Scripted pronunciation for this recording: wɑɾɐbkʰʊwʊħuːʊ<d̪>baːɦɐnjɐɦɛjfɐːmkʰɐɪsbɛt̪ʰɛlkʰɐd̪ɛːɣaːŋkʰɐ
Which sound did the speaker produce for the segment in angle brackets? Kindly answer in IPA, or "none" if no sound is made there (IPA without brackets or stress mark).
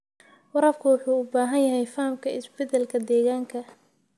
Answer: none